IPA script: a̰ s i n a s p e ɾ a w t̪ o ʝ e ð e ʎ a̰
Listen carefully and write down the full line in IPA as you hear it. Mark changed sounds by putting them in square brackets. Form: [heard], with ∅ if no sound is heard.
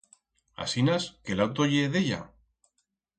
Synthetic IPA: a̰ s i n a s [k] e [l] a w t̪ o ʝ e ð e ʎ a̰

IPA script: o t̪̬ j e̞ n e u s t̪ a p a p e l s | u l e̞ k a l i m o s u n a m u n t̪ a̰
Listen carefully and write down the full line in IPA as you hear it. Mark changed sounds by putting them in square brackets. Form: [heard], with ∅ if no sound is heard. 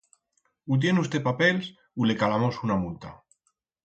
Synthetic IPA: [u] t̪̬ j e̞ n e u s t̪ [e] p a p e l s | u l e̞ k a l [a] m o s u n a m u n t̪ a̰

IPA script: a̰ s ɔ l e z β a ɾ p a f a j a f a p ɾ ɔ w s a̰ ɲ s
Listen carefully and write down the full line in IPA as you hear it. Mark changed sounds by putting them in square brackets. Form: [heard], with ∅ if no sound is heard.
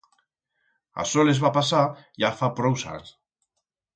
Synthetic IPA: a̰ s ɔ l e z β a [∅] p a [s] a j a f a p ɾ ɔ w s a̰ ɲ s

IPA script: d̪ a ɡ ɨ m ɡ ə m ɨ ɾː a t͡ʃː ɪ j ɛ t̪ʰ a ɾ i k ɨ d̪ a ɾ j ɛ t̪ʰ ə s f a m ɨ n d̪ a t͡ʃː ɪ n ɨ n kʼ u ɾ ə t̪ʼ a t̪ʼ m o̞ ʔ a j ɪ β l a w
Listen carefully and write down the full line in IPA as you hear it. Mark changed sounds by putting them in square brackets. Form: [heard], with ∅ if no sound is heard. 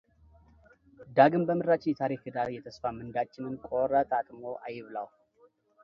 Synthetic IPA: d̪ a ɡ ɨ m [b] ə m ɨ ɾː a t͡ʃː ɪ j ɛ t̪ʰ a ɾ i k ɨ d̪ a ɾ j ɛ t̪ʰ ə s f a m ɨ n d̪ a t͡ʃː ɪ n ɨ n kʼ [o] ɾ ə t̪ʼ a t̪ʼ m o̞ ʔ a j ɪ β l a w

